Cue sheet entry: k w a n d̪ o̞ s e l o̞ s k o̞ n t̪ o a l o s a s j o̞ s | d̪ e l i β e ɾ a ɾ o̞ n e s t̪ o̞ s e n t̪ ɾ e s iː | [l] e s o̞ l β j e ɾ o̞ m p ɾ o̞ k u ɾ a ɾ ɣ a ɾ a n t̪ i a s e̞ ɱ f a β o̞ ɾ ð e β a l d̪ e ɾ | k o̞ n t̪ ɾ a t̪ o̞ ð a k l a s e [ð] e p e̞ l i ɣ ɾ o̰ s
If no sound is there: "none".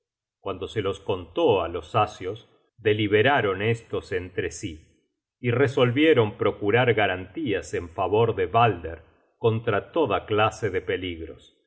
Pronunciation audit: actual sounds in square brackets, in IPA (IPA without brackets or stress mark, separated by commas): r, ð